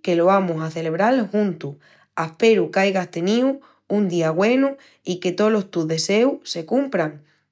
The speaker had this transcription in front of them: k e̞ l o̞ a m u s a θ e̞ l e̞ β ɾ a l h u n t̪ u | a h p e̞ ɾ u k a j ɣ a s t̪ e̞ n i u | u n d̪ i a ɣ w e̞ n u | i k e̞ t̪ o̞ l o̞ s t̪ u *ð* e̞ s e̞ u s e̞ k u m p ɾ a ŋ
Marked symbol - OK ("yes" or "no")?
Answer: yes